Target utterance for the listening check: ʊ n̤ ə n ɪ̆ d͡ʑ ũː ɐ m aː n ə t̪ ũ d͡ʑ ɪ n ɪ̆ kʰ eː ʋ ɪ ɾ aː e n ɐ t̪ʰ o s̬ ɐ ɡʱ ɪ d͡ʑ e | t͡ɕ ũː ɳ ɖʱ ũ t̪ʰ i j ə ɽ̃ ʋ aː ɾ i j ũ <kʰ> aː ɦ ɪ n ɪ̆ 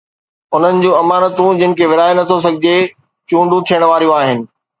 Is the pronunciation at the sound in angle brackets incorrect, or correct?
incorrect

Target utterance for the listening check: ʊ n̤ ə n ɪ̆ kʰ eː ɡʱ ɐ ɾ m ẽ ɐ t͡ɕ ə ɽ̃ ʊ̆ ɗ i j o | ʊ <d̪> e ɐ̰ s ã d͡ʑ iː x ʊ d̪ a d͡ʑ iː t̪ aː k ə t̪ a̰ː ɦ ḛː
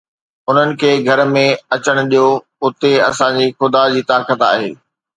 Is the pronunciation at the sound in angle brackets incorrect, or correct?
incorrect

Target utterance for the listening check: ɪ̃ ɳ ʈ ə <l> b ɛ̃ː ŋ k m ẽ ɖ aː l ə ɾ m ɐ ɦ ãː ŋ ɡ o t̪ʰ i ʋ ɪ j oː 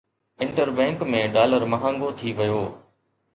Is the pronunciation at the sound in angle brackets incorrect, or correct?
incorrect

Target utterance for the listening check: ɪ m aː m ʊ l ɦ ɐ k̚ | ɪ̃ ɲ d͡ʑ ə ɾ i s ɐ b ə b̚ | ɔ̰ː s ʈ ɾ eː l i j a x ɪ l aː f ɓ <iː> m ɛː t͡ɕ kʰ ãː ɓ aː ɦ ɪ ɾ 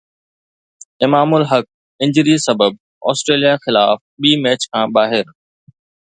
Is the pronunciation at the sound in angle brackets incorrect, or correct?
correct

